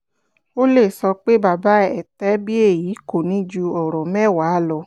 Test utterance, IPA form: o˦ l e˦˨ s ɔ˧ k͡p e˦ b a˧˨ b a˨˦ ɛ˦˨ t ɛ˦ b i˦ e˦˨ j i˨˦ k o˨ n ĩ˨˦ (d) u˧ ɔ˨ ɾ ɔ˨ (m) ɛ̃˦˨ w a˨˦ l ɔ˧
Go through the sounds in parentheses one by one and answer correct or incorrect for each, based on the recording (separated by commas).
incorrect, correct